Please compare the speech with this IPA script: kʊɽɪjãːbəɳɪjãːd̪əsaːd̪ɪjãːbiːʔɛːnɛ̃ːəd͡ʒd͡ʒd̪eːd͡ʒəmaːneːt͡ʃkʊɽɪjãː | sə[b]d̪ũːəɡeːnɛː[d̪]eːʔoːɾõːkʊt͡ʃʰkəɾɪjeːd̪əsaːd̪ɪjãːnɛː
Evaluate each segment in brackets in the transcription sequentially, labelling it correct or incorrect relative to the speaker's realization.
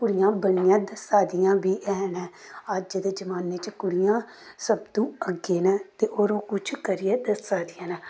correct, incorrect: t̪

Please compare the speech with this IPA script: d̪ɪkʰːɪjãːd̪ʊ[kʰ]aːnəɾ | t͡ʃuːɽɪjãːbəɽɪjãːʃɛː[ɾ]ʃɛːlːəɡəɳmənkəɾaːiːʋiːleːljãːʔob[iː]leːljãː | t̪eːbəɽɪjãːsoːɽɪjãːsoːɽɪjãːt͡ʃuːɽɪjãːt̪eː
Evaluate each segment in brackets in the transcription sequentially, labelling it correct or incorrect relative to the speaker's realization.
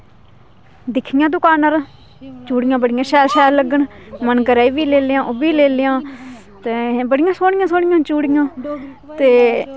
incorrect: k, incorrect: l, correct

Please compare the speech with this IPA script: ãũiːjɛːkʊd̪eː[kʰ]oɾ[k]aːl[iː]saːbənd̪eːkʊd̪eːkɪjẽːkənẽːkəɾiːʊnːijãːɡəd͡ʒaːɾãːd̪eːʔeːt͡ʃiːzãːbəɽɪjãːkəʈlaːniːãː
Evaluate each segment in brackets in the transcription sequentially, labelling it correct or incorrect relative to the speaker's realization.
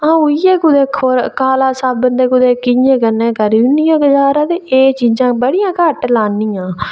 correct, correct, incorrect: aː

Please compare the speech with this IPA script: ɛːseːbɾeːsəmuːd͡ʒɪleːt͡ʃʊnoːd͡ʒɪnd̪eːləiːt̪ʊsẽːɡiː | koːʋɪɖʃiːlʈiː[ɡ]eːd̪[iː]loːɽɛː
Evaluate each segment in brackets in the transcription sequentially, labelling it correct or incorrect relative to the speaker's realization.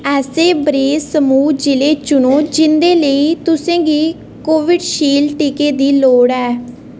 incorrect: k, correct

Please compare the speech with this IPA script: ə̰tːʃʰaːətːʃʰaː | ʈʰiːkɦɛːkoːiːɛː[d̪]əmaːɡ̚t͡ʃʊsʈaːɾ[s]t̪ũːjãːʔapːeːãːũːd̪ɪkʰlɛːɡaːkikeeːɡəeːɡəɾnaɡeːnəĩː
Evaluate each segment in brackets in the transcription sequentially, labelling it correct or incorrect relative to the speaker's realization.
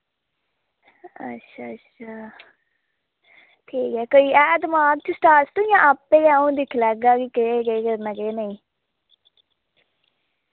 correct, correct

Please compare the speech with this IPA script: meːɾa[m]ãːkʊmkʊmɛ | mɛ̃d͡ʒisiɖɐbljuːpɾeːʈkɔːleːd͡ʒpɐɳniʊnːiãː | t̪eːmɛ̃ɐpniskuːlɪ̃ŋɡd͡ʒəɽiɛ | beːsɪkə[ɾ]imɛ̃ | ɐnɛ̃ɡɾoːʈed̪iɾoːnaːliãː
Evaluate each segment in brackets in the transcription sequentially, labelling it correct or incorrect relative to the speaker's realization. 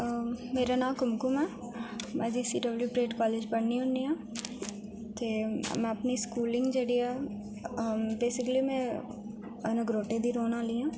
incorrect: n, incorrect: l

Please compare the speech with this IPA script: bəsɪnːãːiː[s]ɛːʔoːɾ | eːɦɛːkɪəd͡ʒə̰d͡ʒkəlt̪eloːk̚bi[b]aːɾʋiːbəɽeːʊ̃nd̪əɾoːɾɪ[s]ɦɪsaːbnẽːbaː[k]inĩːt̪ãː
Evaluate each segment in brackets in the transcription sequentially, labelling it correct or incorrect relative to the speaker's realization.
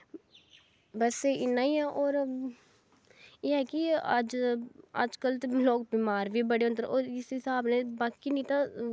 incorrect: none, incorrect: m, correct, correct

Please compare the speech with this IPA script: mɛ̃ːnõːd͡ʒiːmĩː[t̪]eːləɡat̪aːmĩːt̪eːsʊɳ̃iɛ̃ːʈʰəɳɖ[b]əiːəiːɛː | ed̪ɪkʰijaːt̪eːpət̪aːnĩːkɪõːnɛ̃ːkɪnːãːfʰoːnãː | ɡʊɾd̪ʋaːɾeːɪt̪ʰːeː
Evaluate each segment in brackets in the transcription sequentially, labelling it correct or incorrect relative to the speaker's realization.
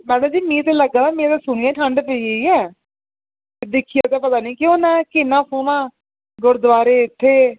correct, incorrect: p

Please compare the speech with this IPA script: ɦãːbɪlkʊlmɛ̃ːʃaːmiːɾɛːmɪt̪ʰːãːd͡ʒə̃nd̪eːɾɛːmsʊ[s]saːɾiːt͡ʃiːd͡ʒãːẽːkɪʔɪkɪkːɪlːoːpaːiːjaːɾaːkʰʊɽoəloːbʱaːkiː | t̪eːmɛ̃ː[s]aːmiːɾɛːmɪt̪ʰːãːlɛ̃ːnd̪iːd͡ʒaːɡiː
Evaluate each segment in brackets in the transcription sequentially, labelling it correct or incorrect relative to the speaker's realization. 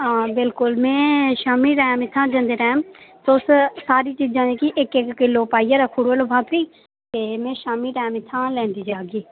correct, incorrect: ʃ

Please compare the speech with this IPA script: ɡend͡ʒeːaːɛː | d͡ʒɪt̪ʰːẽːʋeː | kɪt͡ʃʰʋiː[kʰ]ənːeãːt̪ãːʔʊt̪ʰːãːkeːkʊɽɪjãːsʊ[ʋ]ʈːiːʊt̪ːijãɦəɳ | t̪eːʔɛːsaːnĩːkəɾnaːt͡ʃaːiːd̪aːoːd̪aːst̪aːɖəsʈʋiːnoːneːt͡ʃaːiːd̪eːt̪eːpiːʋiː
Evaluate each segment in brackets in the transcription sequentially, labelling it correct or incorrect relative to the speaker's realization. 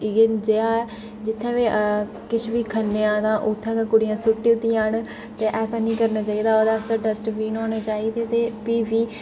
correct, incorrect: none

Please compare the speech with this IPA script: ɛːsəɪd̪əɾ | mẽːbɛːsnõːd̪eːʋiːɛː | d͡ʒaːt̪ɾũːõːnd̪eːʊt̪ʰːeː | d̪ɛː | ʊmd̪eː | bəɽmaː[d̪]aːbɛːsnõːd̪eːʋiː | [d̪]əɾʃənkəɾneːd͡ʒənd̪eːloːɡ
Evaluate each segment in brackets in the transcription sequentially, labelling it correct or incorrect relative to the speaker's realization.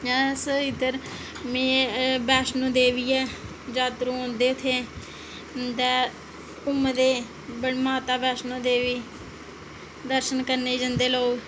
incorrect: t̪, correct

